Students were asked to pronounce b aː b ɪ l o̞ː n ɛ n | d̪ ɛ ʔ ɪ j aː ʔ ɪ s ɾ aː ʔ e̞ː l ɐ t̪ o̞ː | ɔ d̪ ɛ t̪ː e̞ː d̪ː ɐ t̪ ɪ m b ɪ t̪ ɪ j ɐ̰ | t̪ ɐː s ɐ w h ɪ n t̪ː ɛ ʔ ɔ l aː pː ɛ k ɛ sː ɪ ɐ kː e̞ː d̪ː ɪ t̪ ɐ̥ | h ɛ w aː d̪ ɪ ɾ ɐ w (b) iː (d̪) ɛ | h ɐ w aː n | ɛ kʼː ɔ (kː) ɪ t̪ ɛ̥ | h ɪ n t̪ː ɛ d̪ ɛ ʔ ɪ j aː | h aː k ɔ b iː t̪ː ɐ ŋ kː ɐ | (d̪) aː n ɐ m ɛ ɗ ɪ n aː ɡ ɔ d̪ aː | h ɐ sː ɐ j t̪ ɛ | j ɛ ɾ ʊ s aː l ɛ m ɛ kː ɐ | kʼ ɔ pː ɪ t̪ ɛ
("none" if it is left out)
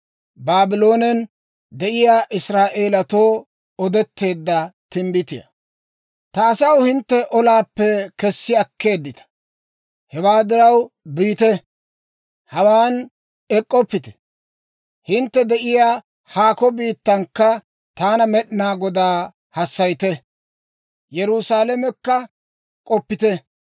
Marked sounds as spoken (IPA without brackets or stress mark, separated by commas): b, t̪, pː, t̪